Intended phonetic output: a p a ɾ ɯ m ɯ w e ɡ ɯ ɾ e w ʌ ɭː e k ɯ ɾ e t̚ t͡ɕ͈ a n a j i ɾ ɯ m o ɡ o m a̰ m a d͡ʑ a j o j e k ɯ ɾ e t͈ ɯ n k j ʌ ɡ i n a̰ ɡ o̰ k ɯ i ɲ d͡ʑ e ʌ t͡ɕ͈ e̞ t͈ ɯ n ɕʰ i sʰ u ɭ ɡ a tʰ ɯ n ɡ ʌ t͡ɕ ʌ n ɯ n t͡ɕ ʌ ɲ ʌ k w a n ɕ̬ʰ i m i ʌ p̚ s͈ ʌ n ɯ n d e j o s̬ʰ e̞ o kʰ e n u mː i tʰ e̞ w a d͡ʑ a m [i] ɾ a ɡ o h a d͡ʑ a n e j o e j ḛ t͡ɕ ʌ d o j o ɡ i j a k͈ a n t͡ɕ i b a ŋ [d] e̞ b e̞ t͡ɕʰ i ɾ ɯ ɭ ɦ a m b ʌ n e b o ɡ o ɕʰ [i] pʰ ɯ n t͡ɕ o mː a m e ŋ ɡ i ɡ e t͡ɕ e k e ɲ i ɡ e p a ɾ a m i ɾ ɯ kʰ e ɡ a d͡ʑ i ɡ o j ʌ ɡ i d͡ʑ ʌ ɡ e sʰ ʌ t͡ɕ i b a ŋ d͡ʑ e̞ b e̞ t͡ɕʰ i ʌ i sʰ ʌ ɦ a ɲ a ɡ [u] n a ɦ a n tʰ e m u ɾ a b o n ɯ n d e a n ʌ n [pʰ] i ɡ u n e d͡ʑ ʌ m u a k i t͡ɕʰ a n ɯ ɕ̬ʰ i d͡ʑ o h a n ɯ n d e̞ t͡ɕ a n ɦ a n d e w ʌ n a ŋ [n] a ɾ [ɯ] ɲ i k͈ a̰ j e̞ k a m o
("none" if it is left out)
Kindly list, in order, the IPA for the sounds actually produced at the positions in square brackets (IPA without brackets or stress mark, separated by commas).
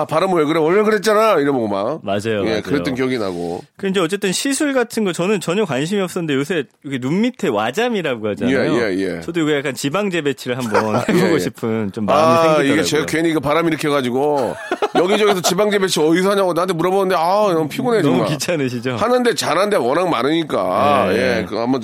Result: i, d͡ʑ, i, o, pʰ, m, ɯ